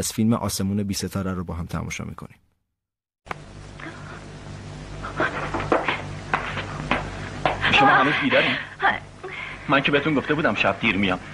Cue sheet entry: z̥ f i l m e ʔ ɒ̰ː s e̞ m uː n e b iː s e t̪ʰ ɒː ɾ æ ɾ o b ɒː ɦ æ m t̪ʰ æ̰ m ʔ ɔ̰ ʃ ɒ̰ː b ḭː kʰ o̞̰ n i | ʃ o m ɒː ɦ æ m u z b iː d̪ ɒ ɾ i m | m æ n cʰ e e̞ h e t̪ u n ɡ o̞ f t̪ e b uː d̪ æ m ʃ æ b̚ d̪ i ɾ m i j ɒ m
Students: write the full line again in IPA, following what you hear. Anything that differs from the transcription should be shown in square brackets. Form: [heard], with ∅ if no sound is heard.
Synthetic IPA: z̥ f i l m e ʔ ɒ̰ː s e̞ m uː n e b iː s e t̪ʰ ɒː ɾ æ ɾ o b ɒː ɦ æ m t̪ʰ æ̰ m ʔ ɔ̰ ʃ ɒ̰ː [m] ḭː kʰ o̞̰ n i | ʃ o m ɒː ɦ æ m u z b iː d̪ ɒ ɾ i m | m æ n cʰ e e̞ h e t̪ u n ɡ o̞ f t̪ e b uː d̪ æ m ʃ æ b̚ d̪ i ɾ m i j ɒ m